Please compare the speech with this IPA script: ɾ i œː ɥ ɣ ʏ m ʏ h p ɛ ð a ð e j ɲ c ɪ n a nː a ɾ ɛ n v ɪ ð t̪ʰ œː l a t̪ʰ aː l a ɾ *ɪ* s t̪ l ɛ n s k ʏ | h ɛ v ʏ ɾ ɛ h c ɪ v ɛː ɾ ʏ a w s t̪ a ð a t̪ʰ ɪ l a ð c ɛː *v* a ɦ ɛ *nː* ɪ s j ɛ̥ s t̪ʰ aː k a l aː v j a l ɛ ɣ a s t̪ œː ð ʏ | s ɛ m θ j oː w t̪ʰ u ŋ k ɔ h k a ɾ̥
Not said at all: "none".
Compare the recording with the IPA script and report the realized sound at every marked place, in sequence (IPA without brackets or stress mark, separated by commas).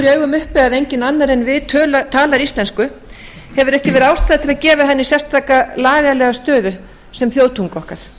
i, v, nː